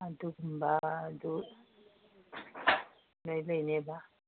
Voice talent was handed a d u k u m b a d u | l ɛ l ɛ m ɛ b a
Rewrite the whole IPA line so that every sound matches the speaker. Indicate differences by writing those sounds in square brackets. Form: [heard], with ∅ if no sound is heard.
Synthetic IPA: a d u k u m b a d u | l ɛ l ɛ [n] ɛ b a